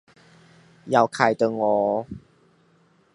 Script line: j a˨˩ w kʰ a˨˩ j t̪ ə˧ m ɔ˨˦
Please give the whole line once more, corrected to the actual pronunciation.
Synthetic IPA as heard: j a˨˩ w kʰ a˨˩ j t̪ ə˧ ŋ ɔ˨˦